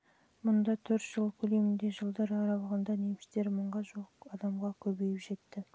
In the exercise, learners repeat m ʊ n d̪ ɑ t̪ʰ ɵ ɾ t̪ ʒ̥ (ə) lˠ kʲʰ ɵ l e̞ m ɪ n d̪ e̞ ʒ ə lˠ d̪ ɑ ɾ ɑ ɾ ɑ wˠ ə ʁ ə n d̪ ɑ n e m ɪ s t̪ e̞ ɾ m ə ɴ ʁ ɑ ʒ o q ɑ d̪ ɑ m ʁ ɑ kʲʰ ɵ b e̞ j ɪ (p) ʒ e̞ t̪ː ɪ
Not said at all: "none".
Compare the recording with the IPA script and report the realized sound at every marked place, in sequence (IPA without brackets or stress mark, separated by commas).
ə, p